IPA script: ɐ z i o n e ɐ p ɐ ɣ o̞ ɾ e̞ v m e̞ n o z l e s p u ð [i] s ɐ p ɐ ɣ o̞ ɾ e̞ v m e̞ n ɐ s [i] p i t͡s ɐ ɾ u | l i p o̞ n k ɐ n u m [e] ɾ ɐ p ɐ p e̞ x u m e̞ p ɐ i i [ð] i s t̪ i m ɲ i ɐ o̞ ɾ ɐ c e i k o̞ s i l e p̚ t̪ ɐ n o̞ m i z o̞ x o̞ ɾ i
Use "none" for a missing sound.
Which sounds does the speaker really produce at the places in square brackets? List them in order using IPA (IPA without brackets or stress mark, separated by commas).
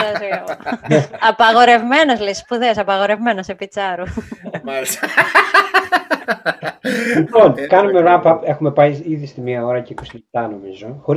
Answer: e, e, e, ð